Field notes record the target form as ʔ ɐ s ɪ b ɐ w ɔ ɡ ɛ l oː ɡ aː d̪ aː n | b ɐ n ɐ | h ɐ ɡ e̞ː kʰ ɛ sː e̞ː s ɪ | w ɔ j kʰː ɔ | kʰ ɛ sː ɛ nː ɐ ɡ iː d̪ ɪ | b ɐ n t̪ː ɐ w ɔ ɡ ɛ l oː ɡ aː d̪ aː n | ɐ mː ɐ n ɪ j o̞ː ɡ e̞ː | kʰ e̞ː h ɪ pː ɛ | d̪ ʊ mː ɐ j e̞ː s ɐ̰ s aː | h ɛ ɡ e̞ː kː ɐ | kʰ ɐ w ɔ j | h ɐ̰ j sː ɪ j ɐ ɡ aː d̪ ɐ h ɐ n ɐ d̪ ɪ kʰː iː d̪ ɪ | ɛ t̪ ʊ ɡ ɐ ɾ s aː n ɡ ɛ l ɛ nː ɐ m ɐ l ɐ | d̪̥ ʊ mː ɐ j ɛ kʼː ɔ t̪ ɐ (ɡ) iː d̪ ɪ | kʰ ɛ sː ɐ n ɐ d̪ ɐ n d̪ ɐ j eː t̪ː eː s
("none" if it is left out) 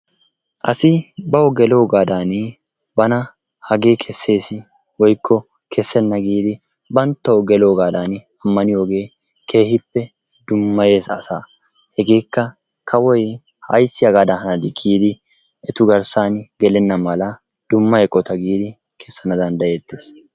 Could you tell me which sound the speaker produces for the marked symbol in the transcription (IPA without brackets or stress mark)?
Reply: ɡ